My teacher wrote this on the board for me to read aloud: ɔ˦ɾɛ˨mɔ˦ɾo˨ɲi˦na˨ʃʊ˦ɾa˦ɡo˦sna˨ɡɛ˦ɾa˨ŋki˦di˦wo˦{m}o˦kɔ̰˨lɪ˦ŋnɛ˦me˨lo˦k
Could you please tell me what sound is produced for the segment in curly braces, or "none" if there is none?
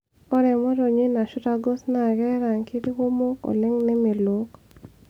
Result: m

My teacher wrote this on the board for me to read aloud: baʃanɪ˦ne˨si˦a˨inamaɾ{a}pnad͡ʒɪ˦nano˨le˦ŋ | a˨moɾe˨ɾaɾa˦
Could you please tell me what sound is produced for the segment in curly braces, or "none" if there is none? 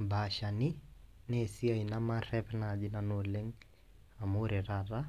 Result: ɛ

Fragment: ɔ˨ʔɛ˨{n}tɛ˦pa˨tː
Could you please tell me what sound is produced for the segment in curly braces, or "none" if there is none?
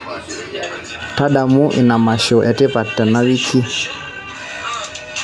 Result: none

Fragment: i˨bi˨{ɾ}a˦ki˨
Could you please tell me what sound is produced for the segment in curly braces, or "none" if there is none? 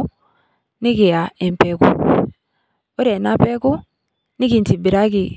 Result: ɾ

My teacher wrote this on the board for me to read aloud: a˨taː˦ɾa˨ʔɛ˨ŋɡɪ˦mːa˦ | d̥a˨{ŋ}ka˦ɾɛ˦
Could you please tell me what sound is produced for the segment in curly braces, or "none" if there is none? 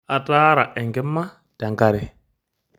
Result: ŋ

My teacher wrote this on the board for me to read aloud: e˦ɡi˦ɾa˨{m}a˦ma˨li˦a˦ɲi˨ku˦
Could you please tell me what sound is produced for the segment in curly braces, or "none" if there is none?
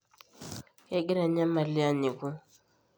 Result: ɲ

